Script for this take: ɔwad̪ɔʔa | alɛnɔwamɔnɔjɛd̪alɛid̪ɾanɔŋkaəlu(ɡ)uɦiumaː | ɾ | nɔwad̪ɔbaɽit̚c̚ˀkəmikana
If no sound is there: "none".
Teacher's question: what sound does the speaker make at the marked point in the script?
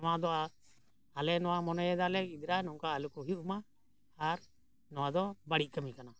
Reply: k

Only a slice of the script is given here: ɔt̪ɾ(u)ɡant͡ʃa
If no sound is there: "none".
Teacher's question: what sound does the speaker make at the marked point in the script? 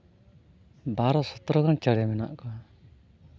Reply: ɔ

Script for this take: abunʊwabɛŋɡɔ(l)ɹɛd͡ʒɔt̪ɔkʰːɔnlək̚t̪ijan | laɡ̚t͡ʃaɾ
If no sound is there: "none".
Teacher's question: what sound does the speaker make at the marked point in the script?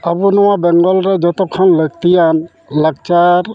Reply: l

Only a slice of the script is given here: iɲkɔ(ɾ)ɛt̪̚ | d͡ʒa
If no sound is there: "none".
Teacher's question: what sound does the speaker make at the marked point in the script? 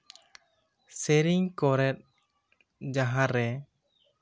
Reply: ɾ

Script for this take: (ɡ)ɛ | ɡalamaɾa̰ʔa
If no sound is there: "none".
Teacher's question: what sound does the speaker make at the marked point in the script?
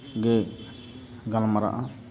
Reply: ɡ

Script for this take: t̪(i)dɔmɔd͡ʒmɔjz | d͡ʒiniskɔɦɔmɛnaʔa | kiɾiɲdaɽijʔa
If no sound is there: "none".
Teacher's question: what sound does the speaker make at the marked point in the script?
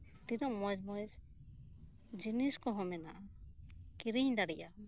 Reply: i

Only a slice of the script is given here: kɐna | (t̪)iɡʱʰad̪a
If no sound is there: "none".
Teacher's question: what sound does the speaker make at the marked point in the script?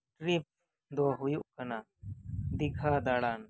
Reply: d̪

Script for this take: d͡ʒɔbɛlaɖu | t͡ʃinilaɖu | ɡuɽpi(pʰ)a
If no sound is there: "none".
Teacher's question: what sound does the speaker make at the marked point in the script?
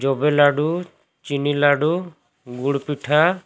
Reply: ʈʰ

